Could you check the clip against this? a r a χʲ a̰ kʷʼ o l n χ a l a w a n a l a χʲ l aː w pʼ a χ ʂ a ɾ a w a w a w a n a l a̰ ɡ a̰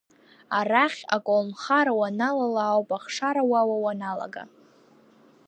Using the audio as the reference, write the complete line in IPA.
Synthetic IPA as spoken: a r a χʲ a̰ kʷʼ o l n χ a ɾ a w a n a l a l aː w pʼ a χ ʂ a ɾ a w a w a w a n a l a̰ ɡ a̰